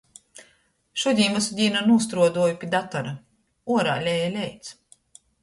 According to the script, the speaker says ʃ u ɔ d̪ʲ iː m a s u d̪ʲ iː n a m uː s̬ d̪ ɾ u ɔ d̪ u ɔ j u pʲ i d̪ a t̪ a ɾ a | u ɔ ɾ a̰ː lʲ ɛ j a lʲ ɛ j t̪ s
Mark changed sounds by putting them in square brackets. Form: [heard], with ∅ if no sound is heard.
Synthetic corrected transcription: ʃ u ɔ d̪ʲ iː m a s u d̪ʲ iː n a [n] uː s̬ [t̪] ɾ u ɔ d̪ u ɔ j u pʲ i d̪ a t̪ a ɾ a | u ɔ ɾ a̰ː lʲ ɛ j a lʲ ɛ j t̪ s